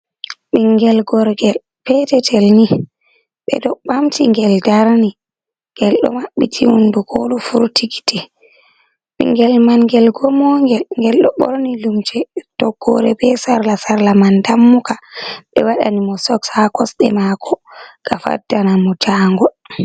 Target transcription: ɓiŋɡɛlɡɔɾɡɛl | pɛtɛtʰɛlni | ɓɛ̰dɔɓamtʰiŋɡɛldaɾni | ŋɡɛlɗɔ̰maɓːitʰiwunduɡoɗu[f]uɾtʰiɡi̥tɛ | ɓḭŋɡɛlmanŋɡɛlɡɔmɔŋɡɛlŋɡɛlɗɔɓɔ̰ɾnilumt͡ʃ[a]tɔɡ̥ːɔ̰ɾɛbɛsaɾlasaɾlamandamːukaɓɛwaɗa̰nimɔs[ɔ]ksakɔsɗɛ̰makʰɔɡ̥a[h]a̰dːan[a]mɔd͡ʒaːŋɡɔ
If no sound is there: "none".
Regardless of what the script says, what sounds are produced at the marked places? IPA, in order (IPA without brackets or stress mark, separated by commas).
f, ɛ, ɔ, f, a